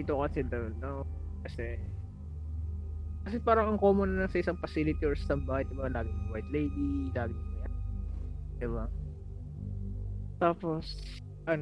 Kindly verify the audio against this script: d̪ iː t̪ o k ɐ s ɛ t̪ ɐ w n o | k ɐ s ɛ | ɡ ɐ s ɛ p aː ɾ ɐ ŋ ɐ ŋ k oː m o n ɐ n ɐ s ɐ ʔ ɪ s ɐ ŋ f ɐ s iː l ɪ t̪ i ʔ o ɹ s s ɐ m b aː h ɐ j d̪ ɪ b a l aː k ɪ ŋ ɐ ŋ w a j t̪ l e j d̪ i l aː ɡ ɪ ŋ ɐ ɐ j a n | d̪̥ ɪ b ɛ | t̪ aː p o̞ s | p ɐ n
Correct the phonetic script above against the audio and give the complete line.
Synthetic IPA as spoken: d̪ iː t̪ o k ɐ s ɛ d̪ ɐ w n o | k ɐ s ɛ | k ɐ s ɛ p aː ɾ ɐ ŋ ɐ ŋ k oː m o n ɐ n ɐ s ɐ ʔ ɪ s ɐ ŋ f ɐ s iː l ɪ t̪ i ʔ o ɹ s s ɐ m b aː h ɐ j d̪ ɪ b a l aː ɡ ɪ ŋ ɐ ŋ w a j t̪ l e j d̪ i l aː ɡ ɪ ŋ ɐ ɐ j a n | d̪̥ ɪ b a | t̪ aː p o̞ s | ʔ ɐ n